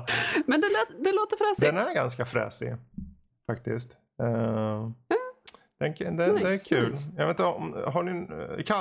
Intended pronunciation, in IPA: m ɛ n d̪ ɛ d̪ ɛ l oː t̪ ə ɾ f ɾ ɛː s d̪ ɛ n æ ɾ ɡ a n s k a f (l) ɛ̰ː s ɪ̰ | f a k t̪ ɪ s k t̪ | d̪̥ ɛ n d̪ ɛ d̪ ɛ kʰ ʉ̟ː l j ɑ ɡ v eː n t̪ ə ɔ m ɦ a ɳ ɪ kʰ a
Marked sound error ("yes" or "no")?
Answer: yes